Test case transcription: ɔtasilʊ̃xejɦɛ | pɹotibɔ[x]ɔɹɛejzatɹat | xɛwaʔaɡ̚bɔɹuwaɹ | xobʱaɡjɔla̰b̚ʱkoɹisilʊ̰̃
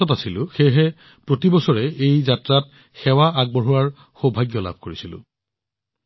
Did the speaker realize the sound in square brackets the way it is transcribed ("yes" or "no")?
no